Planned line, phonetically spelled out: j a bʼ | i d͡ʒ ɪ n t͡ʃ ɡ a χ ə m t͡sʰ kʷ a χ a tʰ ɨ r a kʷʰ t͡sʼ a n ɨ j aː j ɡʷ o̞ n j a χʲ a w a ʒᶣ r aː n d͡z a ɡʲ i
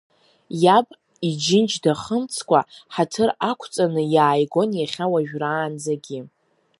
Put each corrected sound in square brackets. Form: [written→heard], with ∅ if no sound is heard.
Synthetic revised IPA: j a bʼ | i d͡ʒ ɪ n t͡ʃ [ɡ→d] a χ ə m t͡sʰ kʷ a [χ→ħ] a tʰ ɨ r a kʷʰ t͡sʼ a n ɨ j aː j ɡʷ o̞ n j a χʲ a w a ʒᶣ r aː n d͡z a ɡʲ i